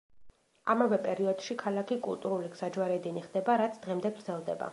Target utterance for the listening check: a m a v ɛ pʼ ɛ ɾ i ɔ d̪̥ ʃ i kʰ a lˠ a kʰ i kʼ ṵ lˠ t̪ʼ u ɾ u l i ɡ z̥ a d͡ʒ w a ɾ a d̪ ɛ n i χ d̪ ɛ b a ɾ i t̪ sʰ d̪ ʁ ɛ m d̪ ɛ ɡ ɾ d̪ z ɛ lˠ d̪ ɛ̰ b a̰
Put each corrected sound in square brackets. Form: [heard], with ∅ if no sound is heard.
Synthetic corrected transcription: a m a v ɛ pʼ ɛ ɾ i ɔ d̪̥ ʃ i kʰ a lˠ a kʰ i kʼ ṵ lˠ t̪ʼ u ɾ u l i ɡ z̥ a d͡ʒ w a ɾ [ɛ] d̪ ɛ n i χ d̪ ɛ b a ɾ [a] t̪ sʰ d̪ ʁ ɛ m d̪ ɛ ɡ ɾ d̪ z ɛ lˠ d̪ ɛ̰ b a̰